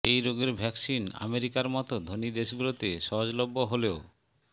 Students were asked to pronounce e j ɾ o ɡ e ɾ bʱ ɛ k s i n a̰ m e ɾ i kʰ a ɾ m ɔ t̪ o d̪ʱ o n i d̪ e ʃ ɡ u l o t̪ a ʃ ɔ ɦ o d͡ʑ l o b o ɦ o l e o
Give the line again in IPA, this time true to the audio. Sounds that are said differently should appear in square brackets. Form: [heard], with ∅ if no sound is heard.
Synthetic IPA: e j ɾ o ɡ e ɾ bʱ ɛ k s i n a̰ m e ɾ i [k] a ɾ m ɔ t̪ o d̪ʱ o n i d̪ e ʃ ɡ u l o t̪ [e] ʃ ɔ ɦ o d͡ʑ l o [bː] o ɦ o l e o